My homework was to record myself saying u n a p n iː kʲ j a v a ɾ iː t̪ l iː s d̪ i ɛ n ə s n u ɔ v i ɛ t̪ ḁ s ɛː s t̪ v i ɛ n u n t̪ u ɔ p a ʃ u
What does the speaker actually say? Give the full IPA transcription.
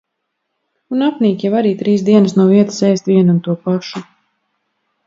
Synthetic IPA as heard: u n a p n iː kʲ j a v a ɾ iː t̪ ɾ iː s d̪ i ɛ n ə s n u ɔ v i ɛ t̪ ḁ s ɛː s t̪ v i ɛ n u n t̪ u ɔ p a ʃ u